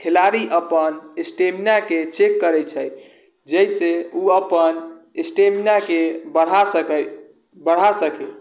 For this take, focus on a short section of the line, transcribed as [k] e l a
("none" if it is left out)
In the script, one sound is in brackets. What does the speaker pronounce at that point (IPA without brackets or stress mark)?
kʰ